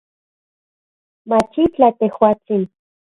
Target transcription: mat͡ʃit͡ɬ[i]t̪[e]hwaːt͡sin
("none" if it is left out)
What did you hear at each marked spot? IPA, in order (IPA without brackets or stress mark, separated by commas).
a, e